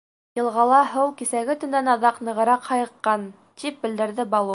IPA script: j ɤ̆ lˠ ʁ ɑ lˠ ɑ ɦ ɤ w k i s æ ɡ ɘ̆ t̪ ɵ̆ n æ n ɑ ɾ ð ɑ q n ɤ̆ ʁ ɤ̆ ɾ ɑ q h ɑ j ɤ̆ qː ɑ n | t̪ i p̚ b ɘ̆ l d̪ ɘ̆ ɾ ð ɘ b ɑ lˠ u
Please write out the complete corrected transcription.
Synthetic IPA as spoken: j ɤ̆ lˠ ʁ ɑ lˠ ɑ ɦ ɤ w k i s æ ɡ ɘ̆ t̪ ɵ̆ n æ n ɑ ð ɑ q n ɤ̆ ʁ ɤ̆ ɾ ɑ q h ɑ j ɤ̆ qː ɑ n | t̪ i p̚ b ɘ̆ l d̪ ɘ̆ ɾ ð ɘ b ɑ lˠ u